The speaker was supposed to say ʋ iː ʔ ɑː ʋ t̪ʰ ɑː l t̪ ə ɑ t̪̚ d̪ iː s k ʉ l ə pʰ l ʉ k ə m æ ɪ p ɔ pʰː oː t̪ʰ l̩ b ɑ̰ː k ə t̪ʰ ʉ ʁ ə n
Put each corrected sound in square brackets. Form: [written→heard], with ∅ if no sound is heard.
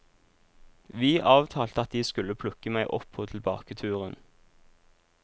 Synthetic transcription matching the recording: ʋ iː ʔ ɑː ʋ t̪ʰ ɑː l t̪ ə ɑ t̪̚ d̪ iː s k ʉ l ə pʰ l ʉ k ə m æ ɪ [p→ʔ] ɔ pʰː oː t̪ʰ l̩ b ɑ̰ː k ə t̪ʰ [ʉ→ʉː] ʁ ə n